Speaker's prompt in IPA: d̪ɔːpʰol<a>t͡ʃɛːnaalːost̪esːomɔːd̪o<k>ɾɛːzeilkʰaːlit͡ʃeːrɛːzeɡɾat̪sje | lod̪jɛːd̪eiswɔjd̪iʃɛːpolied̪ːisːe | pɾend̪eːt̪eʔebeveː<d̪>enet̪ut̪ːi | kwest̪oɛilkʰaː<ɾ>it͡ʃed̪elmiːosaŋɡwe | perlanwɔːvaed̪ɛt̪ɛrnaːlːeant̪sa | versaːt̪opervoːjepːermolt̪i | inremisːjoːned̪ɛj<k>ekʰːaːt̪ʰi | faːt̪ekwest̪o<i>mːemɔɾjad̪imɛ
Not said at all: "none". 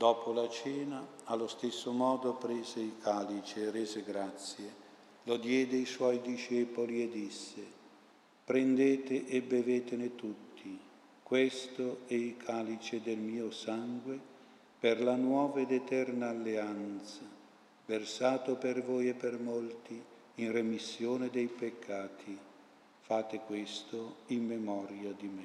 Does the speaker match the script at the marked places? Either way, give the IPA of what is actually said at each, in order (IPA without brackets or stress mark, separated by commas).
a, p, t̪, l, p, i